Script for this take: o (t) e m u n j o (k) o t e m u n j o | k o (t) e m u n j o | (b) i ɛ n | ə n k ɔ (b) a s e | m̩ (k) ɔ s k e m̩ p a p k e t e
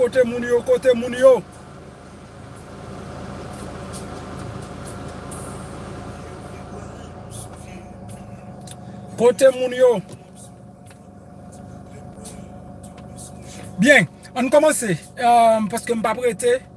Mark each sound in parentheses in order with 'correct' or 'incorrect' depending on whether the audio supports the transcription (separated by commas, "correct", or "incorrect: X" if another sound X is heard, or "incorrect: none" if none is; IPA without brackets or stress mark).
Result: correct, correct, correct, correct, incorrect: m, incorrect: p